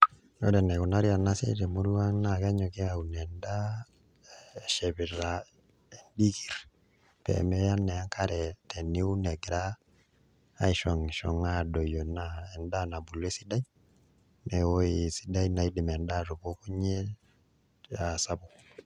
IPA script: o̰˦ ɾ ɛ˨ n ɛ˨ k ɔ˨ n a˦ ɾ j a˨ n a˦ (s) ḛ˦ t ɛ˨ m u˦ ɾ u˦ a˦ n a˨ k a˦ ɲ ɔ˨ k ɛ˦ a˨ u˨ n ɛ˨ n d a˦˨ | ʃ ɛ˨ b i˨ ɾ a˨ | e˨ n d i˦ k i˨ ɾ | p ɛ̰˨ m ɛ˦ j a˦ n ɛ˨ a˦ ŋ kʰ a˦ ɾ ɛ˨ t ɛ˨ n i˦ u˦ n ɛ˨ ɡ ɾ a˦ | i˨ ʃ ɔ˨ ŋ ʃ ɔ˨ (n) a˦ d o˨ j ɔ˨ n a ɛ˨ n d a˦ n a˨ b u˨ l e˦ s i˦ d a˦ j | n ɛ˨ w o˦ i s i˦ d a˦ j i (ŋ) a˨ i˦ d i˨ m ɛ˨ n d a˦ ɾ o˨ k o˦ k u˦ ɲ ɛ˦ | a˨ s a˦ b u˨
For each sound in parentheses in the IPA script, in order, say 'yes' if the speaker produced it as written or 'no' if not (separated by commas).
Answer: yes, no, no